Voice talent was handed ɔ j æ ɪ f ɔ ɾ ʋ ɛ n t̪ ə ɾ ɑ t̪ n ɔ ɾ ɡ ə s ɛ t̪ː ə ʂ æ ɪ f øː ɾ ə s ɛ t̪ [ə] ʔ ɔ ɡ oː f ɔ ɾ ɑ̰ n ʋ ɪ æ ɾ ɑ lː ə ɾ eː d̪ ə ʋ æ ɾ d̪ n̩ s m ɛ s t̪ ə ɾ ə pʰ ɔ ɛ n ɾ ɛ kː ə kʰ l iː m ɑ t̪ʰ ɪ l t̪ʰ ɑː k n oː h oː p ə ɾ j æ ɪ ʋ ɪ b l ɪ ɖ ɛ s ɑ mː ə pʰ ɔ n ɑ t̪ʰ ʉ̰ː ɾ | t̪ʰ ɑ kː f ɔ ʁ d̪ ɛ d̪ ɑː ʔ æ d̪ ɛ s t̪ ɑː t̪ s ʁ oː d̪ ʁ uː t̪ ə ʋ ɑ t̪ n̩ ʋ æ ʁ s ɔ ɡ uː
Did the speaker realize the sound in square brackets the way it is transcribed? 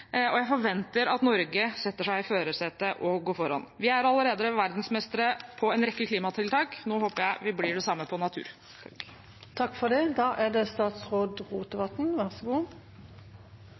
yes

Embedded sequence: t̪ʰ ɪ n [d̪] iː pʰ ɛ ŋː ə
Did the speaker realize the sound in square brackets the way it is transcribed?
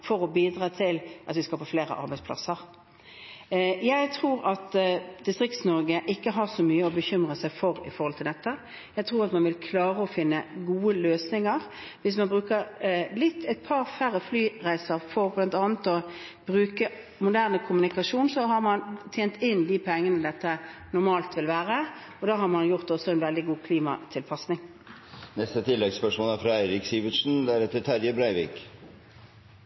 yes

